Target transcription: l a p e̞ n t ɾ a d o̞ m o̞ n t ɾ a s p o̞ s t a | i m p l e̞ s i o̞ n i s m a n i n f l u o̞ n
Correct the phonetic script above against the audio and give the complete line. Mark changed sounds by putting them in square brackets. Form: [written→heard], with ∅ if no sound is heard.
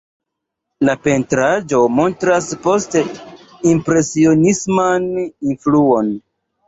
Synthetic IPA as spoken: l a p e̞ n t ɾ a [d→d͡ʒ] o̞ m o̞ n t ɾ a s p o̞ s t [a→e] | i m p [l→ɾ] e̞ s i o̞ n i s m a n i n f l u o̞ n